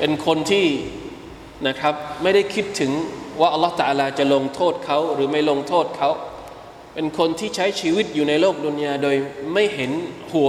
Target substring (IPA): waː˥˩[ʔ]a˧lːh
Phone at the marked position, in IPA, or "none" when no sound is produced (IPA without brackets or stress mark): ʔ